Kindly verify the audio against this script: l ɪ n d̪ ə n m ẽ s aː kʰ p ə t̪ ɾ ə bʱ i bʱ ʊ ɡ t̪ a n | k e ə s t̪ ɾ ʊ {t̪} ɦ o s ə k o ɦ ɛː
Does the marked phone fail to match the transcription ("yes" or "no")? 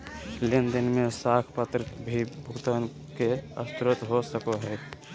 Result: no